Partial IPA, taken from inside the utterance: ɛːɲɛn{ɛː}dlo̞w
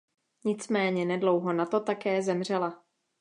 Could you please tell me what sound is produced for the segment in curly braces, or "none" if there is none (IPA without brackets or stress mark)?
ɛ